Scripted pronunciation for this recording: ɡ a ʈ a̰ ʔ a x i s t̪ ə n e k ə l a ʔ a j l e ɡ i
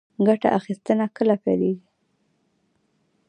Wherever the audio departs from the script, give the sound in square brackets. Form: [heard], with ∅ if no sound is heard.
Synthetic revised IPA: ɡ a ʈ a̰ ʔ a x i s t̪ ə n [a] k ə l a [p] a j l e ɡ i

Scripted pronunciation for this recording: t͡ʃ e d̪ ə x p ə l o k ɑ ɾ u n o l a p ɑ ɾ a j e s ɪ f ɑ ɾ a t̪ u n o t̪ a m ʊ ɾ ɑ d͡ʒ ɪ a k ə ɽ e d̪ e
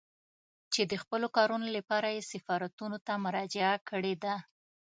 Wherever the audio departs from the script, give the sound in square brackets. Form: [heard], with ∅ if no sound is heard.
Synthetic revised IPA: t͡ʃ e d̪ ə x p ə l o k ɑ ɾ u n o l a p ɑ ɾ a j e s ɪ f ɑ ɾ a t̪ u n o t̪ a m ʊ ɾ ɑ d͡ʒ ɪ a k ə ɽ e d̪ [a]

